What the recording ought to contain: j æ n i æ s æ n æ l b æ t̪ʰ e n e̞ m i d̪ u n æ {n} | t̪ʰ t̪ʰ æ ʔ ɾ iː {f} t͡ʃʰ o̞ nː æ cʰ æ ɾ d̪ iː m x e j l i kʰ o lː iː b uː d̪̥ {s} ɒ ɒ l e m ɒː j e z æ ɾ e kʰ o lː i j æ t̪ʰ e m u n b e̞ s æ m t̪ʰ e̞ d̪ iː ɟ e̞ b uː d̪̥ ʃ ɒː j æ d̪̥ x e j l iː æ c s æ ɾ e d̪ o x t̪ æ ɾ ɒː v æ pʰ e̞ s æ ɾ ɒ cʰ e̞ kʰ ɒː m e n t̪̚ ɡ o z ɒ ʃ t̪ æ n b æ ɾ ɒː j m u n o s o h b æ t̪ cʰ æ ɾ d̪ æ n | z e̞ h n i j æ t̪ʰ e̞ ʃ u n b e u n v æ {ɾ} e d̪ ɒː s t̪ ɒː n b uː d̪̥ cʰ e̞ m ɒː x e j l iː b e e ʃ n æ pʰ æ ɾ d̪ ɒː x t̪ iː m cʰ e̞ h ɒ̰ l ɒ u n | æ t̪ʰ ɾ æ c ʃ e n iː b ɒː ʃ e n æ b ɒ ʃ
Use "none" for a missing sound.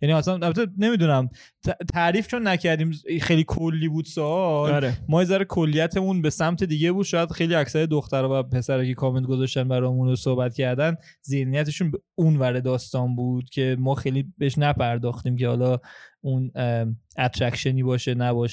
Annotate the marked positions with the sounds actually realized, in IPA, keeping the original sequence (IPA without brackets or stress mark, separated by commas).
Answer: m, f, s, ɾ